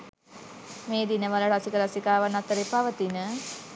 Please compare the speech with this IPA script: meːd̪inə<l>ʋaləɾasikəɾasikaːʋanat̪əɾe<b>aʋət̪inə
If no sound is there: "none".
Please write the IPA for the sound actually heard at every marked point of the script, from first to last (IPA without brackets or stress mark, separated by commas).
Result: none, p